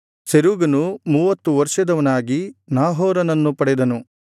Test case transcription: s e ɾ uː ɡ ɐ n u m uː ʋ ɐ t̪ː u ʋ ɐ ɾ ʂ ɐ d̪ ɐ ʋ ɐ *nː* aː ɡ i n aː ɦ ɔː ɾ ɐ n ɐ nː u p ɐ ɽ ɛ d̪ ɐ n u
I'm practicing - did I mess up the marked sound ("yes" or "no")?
yes